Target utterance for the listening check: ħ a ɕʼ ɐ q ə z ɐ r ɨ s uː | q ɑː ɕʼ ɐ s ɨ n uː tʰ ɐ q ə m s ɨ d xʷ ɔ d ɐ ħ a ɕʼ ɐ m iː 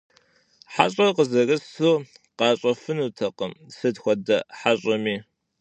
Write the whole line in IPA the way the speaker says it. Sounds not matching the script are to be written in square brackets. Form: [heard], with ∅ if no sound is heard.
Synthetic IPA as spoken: ħ a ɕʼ ɐ q ə z ɐ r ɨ s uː | q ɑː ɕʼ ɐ [f] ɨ n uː tʰ ɐ q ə m s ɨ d xʷ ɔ d ɐ ħ a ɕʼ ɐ m iː